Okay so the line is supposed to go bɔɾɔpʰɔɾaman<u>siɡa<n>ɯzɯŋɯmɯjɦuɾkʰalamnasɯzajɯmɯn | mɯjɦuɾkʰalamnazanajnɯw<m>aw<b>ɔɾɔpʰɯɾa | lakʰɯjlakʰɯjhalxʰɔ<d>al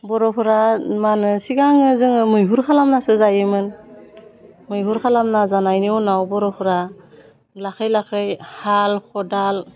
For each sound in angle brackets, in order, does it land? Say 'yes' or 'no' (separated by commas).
no, no, no, yes, yes